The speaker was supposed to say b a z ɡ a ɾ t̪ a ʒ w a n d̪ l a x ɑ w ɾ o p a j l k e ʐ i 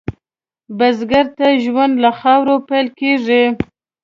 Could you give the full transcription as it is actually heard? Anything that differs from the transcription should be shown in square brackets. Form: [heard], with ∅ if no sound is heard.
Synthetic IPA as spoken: b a z ɡ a ɾ t̪ a ʒ w a n d̪ l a x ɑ w ɾ o p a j l k e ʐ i

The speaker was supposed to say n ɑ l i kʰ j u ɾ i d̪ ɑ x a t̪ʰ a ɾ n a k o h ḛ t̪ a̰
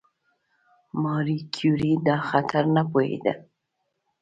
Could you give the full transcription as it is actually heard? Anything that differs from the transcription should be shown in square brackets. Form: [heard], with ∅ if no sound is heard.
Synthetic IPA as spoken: [m] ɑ [ɾ] i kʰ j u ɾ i d̪ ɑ x a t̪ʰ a ɾ n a [p] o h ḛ [d̪] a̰

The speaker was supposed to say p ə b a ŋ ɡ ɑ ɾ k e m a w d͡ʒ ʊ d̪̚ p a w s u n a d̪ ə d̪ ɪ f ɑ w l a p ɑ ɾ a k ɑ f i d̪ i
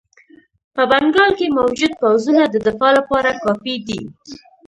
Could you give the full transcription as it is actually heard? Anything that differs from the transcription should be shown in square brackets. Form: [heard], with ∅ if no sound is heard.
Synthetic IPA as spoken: p ə b a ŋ ɡ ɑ [l] k e m a w d͡ʒ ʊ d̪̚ p a w [z] u n a d̪ ə d̪ ɪ f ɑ [∅] l a p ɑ ɾ a k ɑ f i d̪ i

